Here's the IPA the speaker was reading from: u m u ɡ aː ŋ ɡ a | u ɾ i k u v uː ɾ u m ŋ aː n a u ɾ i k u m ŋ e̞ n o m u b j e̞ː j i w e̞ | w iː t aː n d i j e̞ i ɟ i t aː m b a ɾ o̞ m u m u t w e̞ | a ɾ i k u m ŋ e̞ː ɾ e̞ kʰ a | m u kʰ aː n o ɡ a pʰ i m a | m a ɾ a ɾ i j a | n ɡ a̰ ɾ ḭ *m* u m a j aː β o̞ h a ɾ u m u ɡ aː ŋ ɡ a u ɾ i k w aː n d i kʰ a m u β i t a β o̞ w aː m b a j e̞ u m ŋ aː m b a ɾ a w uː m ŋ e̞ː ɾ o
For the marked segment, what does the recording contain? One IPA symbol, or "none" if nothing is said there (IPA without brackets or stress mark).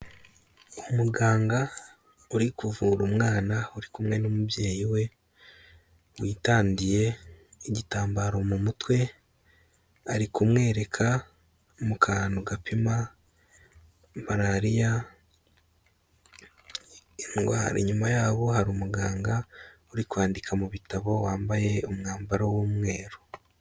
ɲ